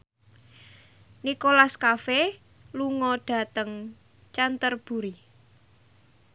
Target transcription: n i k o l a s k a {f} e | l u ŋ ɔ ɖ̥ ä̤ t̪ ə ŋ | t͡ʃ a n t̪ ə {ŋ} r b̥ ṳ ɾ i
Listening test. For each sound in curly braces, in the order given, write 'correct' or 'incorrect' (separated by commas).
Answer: correct, incorrect